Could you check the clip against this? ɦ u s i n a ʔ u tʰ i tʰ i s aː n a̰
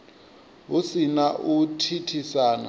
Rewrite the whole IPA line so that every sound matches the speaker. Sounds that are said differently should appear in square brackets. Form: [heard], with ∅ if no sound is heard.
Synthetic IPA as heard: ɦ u s i n a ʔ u tʰ i tʰ i s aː n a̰